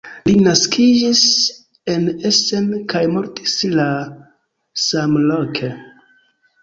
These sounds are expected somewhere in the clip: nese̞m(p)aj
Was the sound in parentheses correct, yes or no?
no